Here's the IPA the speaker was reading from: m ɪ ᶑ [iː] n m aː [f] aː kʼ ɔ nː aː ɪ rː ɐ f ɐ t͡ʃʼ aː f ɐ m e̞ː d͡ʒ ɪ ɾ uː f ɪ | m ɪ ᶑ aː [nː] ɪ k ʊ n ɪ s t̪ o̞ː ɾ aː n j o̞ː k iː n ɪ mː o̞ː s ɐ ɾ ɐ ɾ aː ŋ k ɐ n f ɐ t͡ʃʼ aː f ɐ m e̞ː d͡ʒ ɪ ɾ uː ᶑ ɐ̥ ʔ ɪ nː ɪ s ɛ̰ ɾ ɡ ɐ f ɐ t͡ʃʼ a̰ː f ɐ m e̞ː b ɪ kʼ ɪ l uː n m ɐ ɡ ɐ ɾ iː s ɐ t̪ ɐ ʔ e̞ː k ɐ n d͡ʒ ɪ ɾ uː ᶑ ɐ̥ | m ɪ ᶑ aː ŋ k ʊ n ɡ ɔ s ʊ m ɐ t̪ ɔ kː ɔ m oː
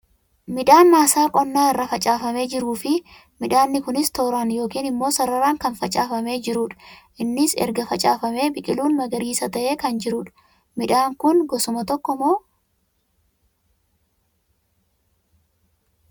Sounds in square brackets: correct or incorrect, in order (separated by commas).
incorrect, incorrect, correct